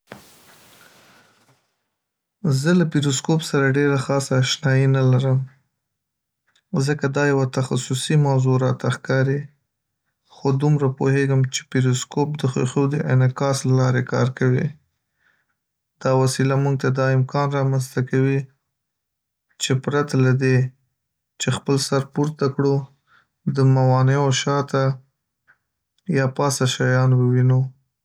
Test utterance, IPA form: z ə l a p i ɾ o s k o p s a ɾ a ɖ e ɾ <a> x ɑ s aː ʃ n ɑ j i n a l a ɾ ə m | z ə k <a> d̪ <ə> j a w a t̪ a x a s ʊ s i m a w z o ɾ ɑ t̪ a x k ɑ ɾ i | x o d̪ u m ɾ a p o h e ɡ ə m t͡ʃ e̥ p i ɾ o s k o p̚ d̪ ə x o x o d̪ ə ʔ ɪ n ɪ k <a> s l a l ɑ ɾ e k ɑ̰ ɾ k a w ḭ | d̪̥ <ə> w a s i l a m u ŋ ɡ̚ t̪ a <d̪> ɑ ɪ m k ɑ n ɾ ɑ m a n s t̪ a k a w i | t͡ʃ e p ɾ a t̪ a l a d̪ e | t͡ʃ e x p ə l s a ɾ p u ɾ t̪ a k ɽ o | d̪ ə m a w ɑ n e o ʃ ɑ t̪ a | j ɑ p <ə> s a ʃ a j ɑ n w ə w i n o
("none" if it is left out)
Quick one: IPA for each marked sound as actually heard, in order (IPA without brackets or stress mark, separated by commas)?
a, a, ɑ, ɑ, ɑ, d̪, ɑ